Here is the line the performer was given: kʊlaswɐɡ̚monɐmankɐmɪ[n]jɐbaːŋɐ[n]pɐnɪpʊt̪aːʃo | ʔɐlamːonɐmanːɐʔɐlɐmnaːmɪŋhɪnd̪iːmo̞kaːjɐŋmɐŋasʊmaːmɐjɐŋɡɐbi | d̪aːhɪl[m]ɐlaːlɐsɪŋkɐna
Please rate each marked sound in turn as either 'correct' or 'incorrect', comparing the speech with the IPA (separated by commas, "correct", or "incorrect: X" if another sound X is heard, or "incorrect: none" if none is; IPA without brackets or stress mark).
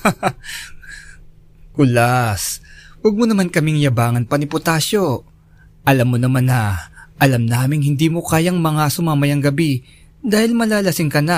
incorrect: ŋ, correct, correct